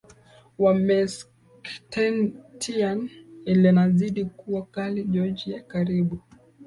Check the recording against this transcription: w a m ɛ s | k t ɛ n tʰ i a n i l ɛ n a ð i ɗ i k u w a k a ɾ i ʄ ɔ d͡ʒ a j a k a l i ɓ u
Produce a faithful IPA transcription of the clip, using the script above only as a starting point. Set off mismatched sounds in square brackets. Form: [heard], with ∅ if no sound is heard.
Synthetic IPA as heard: w a m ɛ s | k t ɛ n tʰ i a n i l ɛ n a [z] i ɗ i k u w a k a [l] i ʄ ɔ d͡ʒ [i] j a k a [ɾ] i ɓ u